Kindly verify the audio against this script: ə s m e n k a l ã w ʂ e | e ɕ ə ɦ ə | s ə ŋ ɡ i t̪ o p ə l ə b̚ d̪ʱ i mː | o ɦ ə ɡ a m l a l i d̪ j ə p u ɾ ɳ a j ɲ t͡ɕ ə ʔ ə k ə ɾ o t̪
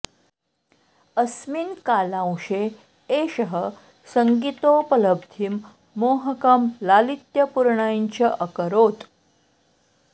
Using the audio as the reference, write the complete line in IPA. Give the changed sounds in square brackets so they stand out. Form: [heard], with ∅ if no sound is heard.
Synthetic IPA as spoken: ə s m [i] n k a l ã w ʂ e | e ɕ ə ɦ ə | s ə ŋ ɡ i t̪ o p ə l ə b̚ d̪ʱ i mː | o ɦ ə [k] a m l a l i [t̪] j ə p u ɾ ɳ a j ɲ t͡ɕ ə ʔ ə k ə ɾ o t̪